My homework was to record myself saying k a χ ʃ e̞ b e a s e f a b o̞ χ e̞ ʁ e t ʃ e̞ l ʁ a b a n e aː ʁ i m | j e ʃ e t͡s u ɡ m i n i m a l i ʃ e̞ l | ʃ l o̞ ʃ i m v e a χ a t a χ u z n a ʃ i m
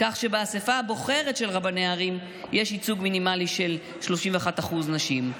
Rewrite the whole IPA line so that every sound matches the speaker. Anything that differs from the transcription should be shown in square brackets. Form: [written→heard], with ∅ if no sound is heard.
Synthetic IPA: k a χ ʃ e̞ b e a s e f a b o̞ χ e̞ ʁ e t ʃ e̞ l ʁ a b a n e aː ʁ i m | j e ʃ [e→i] t͡s u ɡ m i n i m a l i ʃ e̞ l | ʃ l o̞ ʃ i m v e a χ a t a χ u z n a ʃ i m

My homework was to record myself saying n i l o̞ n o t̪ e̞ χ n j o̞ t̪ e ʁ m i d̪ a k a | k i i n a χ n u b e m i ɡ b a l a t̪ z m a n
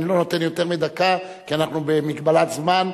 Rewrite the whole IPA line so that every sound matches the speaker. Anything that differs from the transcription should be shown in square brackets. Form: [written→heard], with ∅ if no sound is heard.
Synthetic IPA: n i l o̞ n o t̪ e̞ [χ→∅] n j o̞ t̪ e ʁ m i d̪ a k a | k i [i→a] n a χ n u b e m i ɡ b a l a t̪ z m a n

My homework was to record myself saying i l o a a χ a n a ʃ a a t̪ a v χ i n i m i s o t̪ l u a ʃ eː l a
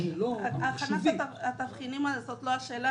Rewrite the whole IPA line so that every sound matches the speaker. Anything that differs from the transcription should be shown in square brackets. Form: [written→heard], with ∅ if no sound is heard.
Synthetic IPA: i l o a a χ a n a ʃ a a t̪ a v χ i n i m [i→a] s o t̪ l [u→o] a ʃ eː l a

